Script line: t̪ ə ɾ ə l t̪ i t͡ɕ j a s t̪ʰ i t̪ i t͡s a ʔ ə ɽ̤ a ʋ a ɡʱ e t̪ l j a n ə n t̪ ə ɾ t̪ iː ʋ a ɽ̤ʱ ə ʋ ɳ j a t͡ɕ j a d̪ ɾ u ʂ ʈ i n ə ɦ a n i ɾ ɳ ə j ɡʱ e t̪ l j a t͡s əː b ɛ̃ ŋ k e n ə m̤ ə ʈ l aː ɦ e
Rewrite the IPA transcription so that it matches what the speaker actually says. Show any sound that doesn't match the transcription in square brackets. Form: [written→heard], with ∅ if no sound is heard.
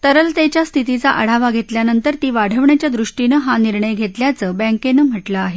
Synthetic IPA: t̪ ə ɾ ə l t̪ [i→e] t͡ɕ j a s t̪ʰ i t̪ i t͡s a ʔ ə ɽ̤ a ʋ a ɡʱ e t̪ l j a n ə n t̪ ə ɾ t̪ iː ʋ a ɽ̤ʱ ə ʋ ɳ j a t͡ɕ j a d̪ ɾ u ʂ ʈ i n ə ɦ a n i ɾ ɳ ə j ɡʱ e t̪ l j a t͡s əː b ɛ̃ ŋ k e n ə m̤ ə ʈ l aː ɦ e